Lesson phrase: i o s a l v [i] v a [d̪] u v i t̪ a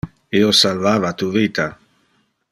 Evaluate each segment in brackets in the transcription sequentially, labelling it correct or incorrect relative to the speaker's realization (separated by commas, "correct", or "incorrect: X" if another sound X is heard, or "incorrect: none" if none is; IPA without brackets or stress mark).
incorrect: a, incorrect: t̪